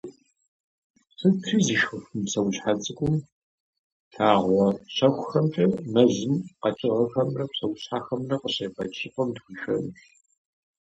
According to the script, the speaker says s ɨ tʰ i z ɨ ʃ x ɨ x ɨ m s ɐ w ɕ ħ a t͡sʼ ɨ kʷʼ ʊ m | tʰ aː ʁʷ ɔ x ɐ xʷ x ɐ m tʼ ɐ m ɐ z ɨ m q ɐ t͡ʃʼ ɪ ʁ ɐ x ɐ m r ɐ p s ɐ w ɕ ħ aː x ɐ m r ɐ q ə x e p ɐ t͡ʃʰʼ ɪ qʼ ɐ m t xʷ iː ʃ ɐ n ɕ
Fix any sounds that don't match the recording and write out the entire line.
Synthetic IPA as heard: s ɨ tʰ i z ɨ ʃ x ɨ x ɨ m s ɐ w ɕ ħ a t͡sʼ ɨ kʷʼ ʊ m | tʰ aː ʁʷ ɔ ɕ ɐ xʷ x ɐ m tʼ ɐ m ɐ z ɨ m q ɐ t͡ʃʼ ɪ ʁ ɐ x ɐ m r ɐ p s ɐ w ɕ ħ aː x ɐ m r ɐ q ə ɕ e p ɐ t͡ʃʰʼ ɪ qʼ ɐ m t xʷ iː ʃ ɐ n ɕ